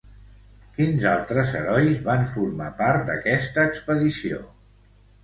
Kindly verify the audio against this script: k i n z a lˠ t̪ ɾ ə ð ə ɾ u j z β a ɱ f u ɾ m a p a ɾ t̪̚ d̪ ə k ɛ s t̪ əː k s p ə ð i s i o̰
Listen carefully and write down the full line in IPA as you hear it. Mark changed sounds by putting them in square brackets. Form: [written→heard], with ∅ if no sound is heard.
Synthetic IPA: k i n z a lˠ t̪ ɾ ə [ð→z] ə ɾ [u→ɔ] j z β a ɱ f u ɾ m a p a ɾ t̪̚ d̪ ə k ɛ s t̪ əː k s p ə ð i s i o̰